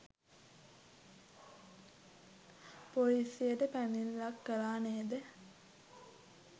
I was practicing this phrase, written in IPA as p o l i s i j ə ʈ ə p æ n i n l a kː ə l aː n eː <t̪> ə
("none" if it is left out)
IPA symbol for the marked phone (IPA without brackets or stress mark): d̪